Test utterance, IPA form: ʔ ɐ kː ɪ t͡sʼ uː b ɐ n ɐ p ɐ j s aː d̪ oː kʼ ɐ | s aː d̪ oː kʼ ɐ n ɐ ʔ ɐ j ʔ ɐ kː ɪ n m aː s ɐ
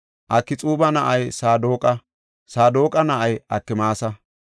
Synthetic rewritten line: ʔ ɐ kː ɪ t͡sʼ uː b ɐ n ɐ ʔ ɐ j s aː d̪ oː kʼ ɐ | s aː d̪ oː kʼ ɐ n ɐ ʔ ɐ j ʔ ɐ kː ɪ m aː s ɐ